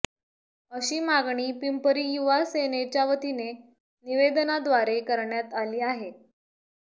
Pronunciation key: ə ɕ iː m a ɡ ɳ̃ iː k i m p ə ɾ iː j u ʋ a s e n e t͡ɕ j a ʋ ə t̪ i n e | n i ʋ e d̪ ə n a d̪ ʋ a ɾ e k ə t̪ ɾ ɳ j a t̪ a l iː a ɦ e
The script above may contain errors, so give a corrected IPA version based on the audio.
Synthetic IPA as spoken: ə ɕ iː m a ɡ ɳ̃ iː p i m p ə ɾ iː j u ʋ a s e n e t͡ɕ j a ʋ ə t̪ i n e | n i ʋ e d̪ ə n a d̪ ʋ a ɾ e k ə ɾ ɳ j a t̪ a l iː a ɦ e